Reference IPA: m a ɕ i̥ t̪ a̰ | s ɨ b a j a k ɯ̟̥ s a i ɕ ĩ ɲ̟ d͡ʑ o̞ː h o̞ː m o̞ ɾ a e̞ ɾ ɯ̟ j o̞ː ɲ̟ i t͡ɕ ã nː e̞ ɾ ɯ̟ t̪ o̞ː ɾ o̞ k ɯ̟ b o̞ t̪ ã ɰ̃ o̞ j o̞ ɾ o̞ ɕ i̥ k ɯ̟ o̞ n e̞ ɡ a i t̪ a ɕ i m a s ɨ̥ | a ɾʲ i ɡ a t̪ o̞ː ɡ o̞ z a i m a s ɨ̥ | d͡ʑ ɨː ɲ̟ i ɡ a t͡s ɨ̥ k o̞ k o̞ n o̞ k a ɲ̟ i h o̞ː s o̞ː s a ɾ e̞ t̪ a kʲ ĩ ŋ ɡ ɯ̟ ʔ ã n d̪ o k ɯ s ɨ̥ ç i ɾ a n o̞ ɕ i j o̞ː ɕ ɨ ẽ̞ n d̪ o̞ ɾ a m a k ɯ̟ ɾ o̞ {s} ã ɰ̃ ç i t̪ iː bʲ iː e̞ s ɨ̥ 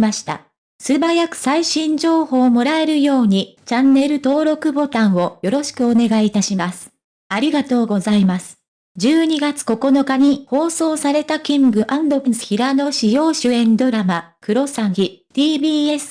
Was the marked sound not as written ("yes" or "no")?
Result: no